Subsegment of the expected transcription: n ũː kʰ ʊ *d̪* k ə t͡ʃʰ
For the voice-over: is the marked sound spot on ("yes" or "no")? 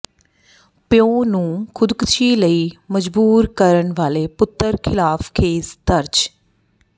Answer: yes